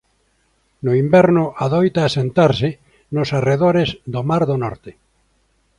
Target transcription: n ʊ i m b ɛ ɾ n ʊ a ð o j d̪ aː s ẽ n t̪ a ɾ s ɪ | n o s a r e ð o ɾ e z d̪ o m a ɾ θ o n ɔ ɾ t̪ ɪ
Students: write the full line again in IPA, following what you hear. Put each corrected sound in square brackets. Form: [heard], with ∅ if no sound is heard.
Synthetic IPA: n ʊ i m b ɛ ɾ n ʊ a ð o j [t̪] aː s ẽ n t̪ a ɾ s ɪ | n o s a r e ð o ɾ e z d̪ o m a ɾ [ð] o n ɔ ɾ t̪ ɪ